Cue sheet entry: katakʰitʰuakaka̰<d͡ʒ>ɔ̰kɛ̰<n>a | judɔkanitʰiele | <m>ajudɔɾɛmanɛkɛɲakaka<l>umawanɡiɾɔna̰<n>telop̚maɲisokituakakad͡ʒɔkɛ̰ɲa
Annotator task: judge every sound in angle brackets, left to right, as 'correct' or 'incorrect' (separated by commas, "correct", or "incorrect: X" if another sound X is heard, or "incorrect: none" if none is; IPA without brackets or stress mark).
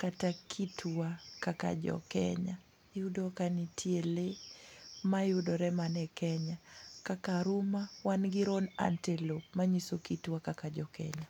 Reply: correct, incorrect: ɲ, correct, incorrect: ɾ, correct